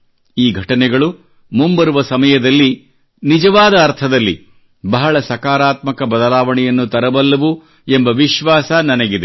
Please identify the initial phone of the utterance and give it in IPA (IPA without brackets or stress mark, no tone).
iː